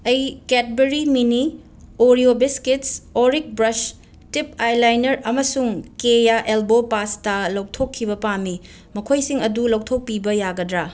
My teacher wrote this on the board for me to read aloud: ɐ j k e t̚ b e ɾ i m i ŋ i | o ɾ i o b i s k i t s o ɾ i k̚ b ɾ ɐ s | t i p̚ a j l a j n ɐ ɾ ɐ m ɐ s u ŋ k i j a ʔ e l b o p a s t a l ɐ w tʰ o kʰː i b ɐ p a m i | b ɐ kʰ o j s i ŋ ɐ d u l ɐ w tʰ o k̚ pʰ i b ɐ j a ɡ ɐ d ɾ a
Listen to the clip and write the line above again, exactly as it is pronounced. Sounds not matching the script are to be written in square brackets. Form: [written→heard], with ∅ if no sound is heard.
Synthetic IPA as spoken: ɐ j k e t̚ b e ɾ i m i [ŋ→n] i | o ɾ i o b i s k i t s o ɾ i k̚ b ɾ ɐ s | t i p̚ a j l a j n ɐ ɾ ɐ m ɐ s u ŋ k [i→e] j a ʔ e l b o p a s t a l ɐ w tʰ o kʰː i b ɐ p a m i | [b→m] ɐ kʰ o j s i ŋ ɐ d u l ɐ w tʰ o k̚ [pʰ→p] i b ɐ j a ɡ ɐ d ɾ a